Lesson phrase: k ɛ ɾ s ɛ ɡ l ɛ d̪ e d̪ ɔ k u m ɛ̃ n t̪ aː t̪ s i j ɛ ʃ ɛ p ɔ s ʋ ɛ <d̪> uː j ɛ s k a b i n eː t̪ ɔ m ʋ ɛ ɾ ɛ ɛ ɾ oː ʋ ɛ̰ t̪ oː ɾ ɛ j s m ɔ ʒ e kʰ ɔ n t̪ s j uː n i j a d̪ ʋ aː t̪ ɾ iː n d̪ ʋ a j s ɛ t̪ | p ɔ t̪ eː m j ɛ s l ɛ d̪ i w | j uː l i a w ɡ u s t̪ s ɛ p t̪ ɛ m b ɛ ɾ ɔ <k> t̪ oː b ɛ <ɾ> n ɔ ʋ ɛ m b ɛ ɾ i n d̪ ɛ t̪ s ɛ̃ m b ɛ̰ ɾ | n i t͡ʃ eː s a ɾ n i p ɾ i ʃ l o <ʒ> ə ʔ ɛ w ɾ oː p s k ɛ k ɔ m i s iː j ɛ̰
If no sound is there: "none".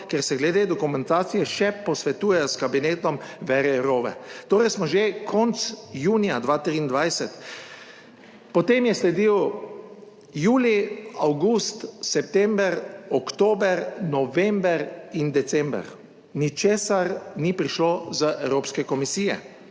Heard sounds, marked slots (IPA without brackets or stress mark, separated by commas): t̪, k, ɾ, z